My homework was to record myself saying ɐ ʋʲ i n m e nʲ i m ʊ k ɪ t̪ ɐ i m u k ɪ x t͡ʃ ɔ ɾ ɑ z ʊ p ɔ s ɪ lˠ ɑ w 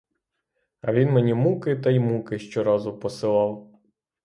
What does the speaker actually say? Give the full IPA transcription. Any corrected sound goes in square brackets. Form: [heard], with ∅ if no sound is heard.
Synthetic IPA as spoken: ɐ ʋʲ i n m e nʲ i m [u] k ɪ t̪ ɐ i m u k ɪ [ʃ] t͡ʃ ɔ ɾ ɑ z ʊ p ɔ s ɪ lˠ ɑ w